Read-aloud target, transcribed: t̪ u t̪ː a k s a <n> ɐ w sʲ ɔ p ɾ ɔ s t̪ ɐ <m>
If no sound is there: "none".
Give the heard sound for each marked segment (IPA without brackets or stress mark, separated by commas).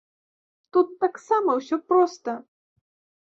m, none